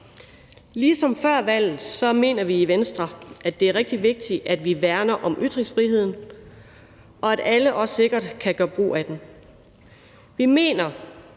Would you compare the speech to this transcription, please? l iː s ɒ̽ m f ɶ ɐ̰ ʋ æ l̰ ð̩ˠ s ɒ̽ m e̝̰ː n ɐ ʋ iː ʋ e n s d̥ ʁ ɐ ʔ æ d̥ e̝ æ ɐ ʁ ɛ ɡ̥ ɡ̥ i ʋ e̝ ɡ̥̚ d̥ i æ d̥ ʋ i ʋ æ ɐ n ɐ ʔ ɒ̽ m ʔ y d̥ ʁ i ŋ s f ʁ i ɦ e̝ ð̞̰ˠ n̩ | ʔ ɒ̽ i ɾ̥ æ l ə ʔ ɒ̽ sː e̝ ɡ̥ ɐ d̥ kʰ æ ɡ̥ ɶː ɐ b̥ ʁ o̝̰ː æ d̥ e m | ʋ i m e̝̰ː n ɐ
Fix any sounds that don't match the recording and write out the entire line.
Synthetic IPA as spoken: l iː s ɒ̽ m f ɶ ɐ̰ ʋ æ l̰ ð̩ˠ s ɒ̽ m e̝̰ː n ɐ ʋ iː ʋ e n s d̥ ʁ ɐ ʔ æ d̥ e̝ æ ɐ ʁ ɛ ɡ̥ d̥ i ʋ e̝ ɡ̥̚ d̥ i æ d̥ ʋ i ʋ æ ɐ n ɐ ʔ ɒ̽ m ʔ y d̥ ʁ i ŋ s f ʁ i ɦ e̝ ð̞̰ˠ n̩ | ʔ ɒ̽ æ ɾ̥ æ l ə ʔ ɒ̽ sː e̝ ɡ̥ ɐ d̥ kʰ æ ɡ̥ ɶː ɐ b̥ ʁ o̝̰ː æ d̥ e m | ʋ i m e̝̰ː n ɐ

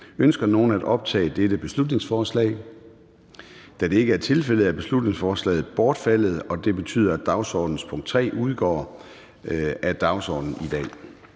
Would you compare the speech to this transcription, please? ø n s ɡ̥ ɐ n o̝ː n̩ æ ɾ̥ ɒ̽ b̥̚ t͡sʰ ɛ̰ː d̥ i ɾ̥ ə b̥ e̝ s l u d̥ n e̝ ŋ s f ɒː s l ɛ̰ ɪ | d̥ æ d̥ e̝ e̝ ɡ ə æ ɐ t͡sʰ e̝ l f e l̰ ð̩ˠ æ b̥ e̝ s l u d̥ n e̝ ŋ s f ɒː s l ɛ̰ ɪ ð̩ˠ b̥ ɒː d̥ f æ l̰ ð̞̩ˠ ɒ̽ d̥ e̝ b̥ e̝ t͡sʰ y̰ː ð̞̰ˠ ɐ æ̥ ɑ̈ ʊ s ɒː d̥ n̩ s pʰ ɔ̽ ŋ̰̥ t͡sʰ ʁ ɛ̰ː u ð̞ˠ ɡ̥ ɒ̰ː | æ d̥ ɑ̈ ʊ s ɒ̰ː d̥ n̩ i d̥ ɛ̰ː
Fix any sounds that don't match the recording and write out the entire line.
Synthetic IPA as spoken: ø n s ɡ̥ ɐ n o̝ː n̩ æ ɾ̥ ɒ̽ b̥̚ t͡sʰ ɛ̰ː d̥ e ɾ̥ ə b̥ e̝ s l u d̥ n e̝ ŋ s f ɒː s l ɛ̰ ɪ | d̥ æ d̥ e̝ e̝ ɡ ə æ ɐ t͡sʰ e̝ l f e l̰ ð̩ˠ æ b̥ e̝ s l u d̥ n e̝ ŋ s f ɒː s l ɛ̰ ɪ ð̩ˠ b̥ ɒː d̥ f æ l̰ ð̞̩ˠ ɒ̽ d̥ e̝ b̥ e̝ t͡sʰ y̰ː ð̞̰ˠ ɐ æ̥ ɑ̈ ʊ s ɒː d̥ n̩ s pʰ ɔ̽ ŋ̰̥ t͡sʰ ʁ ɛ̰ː u ð̞ˠ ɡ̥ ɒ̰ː | æ d̥ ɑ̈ ʊ s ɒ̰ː d̥ n̩ i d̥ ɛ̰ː

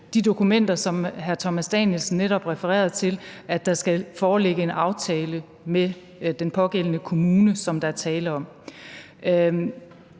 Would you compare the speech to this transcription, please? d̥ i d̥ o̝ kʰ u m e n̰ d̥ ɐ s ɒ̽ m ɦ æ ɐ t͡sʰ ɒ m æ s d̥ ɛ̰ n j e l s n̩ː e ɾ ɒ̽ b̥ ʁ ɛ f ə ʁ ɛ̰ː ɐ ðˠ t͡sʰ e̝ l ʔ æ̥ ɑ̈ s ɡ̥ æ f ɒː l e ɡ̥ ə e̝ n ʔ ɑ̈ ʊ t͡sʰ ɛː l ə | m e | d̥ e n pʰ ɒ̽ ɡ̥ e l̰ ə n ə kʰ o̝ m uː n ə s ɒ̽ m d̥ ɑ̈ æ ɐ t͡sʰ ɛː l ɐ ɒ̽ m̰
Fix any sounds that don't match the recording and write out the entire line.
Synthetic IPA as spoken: d̥ i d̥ o̝ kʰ u m e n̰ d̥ ɐ s ɒ̽ m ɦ æ ɐ t͡sʰ ɒ m æ s d̥ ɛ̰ n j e l s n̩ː e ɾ ɒ̽ b̥ ʁ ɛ f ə ʁ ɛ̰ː ɐ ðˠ t͡sʰ e̝ l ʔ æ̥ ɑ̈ s ɡ̥ æ f ɒː l e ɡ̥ ə e̝ n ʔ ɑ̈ ʊ t͡sʰ ɛː l ə | m e | d̥ e n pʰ ɒ̽ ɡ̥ e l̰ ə n ə kʰ o̝ m uː n ə s ɒ̽ m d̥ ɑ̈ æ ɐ t͡sʰ ɛː l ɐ ɒ̽ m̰

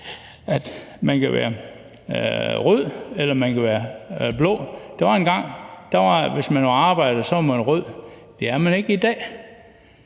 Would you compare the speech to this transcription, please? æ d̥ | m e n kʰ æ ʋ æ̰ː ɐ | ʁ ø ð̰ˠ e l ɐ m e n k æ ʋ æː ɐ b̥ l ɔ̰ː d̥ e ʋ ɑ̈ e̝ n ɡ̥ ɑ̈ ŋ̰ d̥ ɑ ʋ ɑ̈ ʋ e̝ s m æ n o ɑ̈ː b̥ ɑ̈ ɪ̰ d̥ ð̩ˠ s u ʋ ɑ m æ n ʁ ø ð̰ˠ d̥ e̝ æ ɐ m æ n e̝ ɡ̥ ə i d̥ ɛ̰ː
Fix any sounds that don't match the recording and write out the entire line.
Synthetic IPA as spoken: æ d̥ | m æ n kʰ æ ʋ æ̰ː ɐ | ʁ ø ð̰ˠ e l ɐ m æ n k æ ʋ æː ɐ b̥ l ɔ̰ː d̥ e ʋ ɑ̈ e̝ n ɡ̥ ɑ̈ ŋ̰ d̥ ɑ ʋ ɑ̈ ʋ e̝ s m æ n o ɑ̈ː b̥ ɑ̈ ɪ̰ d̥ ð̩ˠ s ɒ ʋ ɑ m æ n ʁ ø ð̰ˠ d̥ e̝ æ ɐ m æ n e̝ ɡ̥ ə i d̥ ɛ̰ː

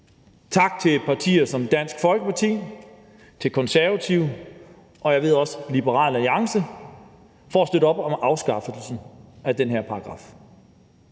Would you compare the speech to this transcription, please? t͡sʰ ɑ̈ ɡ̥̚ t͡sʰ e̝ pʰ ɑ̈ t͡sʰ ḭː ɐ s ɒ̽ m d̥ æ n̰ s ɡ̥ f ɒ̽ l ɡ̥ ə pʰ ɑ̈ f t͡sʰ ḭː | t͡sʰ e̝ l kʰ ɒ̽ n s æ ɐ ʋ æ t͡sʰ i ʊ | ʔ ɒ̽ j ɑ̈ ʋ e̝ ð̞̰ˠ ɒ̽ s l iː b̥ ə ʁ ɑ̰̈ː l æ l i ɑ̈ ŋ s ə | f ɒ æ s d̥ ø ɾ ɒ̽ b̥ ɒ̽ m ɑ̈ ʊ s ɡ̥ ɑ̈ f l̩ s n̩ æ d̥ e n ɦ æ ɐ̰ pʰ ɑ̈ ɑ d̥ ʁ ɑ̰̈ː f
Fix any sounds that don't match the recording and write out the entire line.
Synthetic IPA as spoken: t͡sʰ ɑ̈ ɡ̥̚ t͡sʰ e̝ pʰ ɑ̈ t͡sʰ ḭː ɐ s ɒ̽ m d̥ æ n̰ s ɡ̥ f ɒ̽ l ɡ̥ ə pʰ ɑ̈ t͡sʰ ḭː | t͡sʰ e̝ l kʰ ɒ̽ n s æ ɐ ʋ æ t͡sʰ i ʊ | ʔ ɒ̽ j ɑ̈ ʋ e̝ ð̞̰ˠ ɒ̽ s l i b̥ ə ʁ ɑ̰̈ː l æ l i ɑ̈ ŋ s ə | f ɒ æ s d̥ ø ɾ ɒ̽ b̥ ɒ̽ m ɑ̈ ʊ s ɡ̥ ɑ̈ f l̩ s n̩ æ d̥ e n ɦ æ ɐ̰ pʰ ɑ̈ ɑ ɡ̥ ʁ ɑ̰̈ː f

